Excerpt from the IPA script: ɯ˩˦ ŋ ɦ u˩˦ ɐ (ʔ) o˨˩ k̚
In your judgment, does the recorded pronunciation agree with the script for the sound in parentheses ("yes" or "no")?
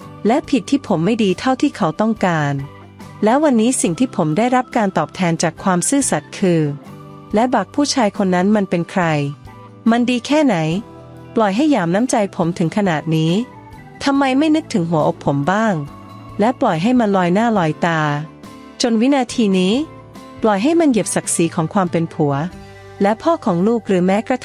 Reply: yes